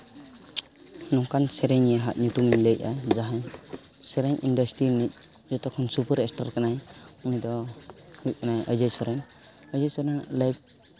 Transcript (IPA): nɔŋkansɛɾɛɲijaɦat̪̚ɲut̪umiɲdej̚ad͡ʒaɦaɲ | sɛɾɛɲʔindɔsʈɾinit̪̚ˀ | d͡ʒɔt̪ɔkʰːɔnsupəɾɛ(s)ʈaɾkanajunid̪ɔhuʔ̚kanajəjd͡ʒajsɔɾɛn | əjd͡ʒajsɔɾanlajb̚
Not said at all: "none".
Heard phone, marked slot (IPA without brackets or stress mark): s